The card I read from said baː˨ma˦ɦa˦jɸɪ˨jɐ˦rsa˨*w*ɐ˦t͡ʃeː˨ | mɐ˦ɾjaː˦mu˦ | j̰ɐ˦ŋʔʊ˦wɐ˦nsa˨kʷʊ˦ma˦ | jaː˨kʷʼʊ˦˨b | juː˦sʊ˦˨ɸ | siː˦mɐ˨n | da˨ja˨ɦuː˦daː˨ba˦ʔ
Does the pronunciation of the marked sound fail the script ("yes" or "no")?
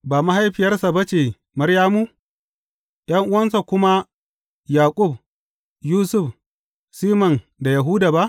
yes